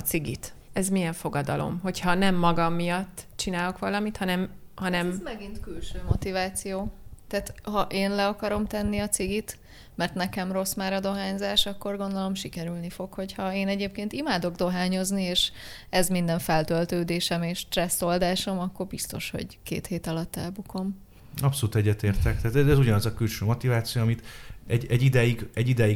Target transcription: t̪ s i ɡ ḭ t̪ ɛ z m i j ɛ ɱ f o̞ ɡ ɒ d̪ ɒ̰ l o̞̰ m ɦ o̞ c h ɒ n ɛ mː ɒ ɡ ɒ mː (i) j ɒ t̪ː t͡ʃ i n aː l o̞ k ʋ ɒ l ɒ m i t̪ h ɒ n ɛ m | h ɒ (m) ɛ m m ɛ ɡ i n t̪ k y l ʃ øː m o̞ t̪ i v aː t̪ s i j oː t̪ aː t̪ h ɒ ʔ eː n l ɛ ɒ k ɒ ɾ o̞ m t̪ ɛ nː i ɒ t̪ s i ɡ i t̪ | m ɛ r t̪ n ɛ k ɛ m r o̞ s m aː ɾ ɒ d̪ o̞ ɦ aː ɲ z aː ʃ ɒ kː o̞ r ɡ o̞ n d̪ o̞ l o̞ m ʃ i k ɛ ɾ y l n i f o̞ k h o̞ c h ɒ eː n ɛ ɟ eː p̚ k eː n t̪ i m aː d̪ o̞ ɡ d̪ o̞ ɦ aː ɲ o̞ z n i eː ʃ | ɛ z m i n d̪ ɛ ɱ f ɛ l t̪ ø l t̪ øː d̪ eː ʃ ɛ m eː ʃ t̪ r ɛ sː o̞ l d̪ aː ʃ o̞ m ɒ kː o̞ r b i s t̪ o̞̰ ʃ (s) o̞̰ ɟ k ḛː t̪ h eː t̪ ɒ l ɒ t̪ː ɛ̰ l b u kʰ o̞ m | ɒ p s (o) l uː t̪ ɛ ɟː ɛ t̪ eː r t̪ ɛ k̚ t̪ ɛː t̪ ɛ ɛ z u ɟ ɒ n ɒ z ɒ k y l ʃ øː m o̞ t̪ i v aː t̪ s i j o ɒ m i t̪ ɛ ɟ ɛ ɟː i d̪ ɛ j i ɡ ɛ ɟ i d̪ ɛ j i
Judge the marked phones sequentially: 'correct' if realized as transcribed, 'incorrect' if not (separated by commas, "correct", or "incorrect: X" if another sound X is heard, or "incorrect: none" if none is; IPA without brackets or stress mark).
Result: correct, incorrect: n, incorrect: h, correct